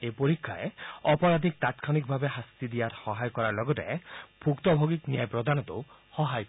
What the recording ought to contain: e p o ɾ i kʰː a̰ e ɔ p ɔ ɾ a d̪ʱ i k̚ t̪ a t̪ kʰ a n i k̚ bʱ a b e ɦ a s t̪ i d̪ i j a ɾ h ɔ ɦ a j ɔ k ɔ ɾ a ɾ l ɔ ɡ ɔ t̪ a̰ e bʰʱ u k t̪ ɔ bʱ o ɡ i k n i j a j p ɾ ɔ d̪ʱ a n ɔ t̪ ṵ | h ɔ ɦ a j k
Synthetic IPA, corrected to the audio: e p o ɾ i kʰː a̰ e ɔ p ɔ ɾ a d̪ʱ i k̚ t̪ a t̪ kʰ a n i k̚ bʱ a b e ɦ a s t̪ i d̪ i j a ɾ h ɔ ɦ a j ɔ k ɔ ɾ a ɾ l ɔ ɡ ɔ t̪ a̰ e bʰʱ u k t̪ ɔ bʱ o ɡ i k n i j a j p ɾ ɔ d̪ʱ a n ɔ t̪ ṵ | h ɔ ɦ a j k